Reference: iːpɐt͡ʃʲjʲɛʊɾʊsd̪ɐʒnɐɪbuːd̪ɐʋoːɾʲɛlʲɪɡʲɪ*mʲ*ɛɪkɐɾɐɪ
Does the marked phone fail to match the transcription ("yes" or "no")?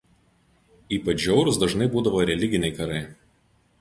yes